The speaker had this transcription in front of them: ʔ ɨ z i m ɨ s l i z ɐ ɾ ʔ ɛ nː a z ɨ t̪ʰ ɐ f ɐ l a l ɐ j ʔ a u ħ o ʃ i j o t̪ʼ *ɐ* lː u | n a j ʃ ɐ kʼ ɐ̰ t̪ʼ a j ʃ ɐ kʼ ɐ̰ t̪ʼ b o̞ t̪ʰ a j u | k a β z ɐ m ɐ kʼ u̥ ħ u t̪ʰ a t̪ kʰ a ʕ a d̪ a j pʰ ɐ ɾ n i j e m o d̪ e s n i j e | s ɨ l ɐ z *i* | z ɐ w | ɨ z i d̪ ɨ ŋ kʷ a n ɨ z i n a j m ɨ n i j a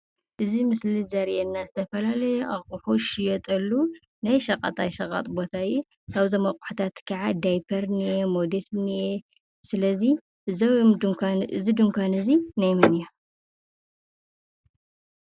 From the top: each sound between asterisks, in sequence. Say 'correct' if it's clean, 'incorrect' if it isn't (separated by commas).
correct, correct